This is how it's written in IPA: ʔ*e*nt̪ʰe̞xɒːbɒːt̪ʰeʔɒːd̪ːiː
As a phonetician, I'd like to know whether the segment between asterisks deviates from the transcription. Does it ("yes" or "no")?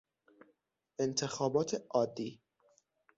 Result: no